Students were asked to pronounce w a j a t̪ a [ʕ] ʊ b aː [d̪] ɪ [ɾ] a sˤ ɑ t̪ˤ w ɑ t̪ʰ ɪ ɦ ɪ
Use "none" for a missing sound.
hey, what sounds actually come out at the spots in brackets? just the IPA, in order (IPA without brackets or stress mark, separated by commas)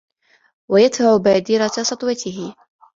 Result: ʕ, d̪, ɾ